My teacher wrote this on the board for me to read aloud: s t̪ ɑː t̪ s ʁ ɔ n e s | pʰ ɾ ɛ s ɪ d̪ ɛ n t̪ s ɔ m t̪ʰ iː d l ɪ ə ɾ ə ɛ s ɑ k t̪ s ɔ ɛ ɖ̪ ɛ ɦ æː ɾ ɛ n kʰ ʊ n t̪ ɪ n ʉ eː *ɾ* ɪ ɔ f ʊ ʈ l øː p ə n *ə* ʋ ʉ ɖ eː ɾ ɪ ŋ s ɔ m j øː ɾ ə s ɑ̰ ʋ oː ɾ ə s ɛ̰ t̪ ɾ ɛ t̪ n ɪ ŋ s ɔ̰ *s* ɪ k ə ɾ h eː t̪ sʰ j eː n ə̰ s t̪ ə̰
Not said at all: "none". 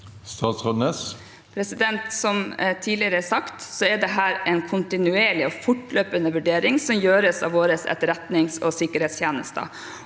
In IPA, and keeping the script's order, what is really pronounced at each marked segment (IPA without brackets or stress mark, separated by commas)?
ɭ, ə, s